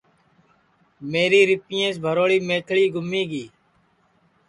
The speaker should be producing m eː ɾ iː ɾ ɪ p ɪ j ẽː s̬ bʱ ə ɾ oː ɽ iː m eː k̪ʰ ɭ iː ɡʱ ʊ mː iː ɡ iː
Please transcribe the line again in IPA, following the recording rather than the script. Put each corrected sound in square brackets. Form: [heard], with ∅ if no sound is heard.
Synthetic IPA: m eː ɾ iː ɾ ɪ p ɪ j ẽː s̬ bʱ ə ɾ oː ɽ iː m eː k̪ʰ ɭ iː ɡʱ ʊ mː iː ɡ iː